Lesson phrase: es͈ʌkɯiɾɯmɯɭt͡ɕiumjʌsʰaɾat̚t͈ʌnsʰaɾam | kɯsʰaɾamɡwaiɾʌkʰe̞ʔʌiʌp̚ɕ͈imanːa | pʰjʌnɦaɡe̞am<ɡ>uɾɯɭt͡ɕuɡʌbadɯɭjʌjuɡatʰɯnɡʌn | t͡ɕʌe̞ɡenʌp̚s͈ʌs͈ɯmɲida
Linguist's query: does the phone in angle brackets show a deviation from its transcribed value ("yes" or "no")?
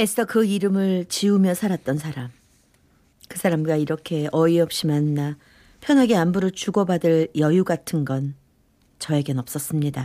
yes